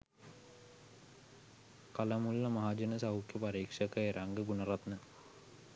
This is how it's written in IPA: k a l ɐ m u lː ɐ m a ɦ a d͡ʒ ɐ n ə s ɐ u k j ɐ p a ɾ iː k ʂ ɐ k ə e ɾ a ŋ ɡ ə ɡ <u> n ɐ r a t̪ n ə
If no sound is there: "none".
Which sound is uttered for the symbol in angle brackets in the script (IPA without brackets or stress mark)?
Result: u